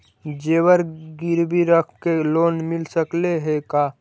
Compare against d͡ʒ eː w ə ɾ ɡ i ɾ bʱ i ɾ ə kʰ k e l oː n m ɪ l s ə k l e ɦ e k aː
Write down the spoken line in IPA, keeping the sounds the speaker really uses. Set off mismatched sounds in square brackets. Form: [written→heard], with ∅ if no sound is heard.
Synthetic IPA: d͡ʒ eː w ə ɾ ɡ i ɾ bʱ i ɾ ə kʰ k e l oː n m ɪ l s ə k l e ɦ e k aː